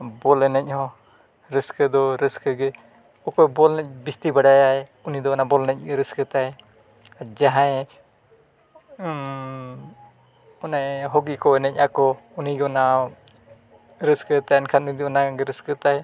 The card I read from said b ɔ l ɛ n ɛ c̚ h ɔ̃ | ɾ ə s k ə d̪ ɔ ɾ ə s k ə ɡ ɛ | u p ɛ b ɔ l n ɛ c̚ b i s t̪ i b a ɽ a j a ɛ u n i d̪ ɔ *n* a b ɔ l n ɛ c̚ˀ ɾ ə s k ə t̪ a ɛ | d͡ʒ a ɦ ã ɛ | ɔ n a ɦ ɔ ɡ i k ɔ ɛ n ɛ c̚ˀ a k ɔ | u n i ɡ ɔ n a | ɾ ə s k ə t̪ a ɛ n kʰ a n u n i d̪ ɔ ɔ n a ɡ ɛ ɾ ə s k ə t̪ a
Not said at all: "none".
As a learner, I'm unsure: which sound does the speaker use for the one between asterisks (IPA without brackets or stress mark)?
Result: n